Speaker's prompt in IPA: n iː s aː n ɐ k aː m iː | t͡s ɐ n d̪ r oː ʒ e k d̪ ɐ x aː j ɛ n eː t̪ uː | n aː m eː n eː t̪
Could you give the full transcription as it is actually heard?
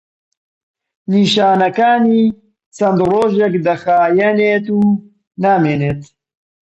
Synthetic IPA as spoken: n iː ʃ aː n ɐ k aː n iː | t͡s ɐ n d̪ r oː ʒ e k d̪ ɐ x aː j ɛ n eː t̪ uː | n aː m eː n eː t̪